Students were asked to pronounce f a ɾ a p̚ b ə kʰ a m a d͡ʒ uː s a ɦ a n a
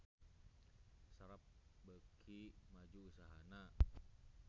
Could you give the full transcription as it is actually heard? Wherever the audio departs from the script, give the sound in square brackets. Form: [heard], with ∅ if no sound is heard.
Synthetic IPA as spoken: [s] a ɾ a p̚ b ə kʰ [i] m a d͡ʒ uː s a ɦ a n a